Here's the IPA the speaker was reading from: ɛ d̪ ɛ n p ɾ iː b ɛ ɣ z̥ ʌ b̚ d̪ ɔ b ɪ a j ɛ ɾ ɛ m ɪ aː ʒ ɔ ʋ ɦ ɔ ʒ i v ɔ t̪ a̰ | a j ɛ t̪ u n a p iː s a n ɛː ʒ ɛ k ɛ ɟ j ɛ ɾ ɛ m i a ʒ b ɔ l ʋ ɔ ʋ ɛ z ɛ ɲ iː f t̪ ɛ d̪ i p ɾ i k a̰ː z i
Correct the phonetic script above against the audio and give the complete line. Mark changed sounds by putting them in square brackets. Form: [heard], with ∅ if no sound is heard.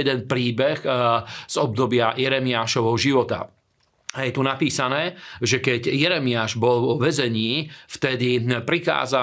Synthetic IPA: ɛ d̪ ɛ n p ɾ iː b ɛ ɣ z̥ [ɔ] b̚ d̪ ɔ b ɪ a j ɛ ɾ ɛ m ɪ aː [ʃ] ɔ ʋ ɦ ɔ ʒ i [ʋ] ɔ t̪ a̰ | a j ɛ t̪ u n a p iː s a n ɛː ʒ ɛ k ɛ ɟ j ɛ ɾ ɛ m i a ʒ b ɔ l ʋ ɔ ʋ ɛ z ɛ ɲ iː f t̪ ɛ d̪ i p ɾ i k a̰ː z [a]